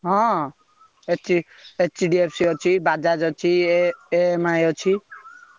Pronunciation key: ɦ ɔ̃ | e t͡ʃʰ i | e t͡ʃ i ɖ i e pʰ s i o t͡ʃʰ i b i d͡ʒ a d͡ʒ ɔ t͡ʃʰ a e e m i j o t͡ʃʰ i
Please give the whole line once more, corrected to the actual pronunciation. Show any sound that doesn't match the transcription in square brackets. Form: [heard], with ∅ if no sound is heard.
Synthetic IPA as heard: ɦ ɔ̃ | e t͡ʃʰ i | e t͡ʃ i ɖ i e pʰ s i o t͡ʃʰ i b [a] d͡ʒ a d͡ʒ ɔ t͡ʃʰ [i] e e m [a] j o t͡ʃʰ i

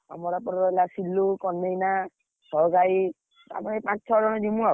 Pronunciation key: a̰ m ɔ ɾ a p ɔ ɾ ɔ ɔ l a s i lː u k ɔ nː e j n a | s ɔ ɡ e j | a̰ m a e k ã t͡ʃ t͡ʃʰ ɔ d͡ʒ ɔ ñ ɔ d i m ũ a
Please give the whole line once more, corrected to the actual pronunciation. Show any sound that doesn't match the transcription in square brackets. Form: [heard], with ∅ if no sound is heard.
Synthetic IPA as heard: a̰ m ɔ ɾ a p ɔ ɾ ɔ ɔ l a s i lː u k ɔ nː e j n a | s ɔ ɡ [a] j | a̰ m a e [p] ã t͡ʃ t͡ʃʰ ɔ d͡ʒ ɔ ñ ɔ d i m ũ a

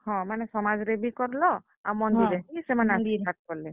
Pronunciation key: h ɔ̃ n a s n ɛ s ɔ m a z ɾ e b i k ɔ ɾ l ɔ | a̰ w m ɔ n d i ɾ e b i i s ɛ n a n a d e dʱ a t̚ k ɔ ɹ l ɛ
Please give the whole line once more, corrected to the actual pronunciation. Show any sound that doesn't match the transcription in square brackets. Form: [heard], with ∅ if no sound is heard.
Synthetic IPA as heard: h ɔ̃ [m] a [∅] n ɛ s ɔ m a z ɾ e b i k ɔ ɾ l ɔ | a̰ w m ɔ n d i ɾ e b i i s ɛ [m] a n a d [i] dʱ a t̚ k ɔ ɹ l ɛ

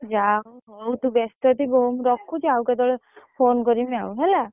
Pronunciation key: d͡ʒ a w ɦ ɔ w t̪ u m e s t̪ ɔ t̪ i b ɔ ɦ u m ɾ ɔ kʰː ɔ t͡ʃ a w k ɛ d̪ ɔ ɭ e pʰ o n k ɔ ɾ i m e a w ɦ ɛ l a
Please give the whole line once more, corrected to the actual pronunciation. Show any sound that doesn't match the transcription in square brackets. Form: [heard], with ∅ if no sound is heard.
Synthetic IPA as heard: d͡ʒ a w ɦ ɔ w t̪ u [b] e s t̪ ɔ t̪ i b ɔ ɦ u m ɾ ɔ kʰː [u] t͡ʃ a w k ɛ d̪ ɔ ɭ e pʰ o n k ɔ ɾ i m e a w ɦ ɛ l a

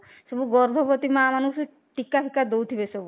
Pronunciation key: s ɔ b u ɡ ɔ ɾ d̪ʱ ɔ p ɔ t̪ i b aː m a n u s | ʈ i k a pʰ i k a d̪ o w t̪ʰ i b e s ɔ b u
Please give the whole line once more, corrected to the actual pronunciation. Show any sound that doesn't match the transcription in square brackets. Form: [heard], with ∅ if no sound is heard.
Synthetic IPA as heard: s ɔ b u ɡ ɔ ɾ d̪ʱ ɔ p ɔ t̪ i [m] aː m a n u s | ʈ i k a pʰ i k a d̪ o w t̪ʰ i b e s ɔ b u

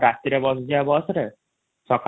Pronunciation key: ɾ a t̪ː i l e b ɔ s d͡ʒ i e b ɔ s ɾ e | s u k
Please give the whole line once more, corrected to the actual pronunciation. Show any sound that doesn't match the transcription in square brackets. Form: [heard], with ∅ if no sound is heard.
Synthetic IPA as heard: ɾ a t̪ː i [ɾ] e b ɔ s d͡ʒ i [a] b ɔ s ɾ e | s [ɔ] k

